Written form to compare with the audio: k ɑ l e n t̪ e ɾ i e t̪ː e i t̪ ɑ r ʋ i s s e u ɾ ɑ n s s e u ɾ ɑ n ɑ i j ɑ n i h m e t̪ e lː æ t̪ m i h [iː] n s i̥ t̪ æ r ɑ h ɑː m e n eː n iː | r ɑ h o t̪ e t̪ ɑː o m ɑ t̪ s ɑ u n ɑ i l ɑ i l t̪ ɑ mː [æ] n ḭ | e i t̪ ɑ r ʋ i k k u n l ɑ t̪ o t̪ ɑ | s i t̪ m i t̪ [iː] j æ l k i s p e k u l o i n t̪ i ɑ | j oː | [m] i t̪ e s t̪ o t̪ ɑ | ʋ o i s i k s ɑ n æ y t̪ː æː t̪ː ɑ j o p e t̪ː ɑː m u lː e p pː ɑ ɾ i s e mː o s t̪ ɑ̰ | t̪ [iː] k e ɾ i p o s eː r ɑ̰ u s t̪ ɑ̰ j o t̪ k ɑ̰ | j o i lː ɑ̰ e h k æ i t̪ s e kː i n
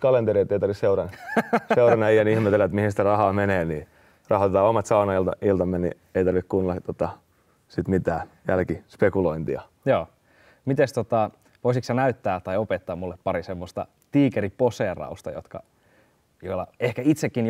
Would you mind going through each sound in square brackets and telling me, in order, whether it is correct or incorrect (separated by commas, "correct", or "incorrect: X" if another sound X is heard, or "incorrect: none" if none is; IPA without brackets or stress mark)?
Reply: incorrect: i, incorrect: e, incorrect: æː, correct, correct